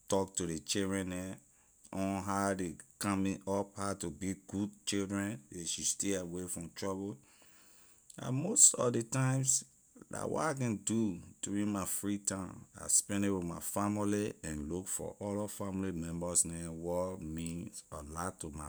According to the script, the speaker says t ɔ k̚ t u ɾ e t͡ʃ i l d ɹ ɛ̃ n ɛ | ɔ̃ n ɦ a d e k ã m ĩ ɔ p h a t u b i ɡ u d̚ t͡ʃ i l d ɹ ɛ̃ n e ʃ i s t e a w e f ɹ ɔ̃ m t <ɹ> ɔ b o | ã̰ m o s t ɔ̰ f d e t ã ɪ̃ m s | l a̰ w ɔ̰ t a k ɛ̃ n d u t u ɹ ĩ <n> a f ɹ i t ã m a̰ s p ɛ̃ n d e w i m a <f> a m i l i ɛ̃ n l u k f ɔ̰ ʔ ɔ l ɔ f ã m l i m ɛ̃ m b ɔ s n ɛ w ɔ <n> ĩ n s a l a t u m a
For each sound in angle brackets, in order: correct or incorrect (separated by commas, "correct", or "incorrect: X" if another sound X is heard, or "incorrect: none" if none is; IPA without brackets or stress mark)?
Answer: correct, incorrect: m, correct, incorrect: m